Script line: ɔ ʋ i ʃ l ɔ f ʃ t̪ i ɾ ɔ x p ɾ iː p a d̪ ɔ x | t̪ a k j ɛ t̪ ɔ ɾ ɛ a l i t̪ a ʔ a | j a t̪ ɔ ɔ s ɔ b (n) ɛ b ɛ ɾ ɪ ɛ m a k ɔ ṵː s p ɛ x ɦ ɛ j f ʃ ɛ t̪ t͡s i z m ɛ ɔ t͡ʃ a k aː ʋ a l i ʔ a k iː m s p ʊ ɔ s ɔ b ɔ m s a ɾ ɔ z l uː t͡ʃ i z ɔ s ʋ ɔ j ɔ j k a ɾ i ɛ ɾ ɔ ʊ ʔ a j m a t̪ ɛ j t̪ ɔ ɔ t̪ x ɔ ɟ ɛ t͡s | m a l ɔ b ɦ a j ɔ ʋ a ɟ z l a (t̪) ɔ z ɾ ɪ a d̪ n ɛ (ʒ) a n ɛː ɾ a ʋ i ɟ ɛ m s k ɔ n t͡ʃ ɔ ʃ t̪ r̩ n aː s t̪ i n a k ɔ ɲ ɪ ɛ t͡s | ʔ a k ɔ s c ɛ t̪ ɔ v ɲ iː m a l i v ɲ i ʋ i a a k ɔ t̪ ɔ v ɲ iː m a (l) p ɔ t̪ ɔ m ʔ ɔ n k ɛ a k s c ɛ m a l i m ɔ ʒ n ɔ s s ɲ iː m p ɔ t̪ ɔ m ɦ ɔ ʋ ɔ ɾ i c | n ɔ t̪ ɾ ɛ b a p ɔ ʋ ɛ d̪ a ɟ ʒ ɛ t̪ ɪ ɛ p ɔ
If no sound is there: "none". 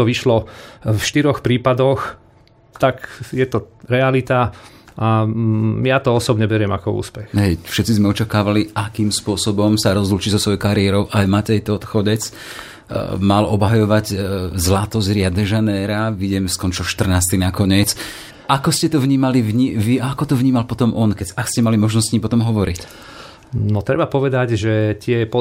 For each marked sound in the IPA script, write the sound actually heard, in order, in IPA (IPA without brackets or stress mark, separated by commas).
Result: ɲ, t̪, ʒ, l